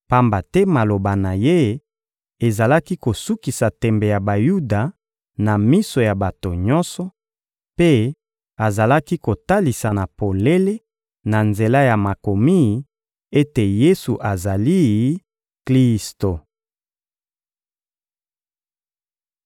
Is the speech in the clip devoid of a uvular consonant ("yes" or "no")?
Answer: yes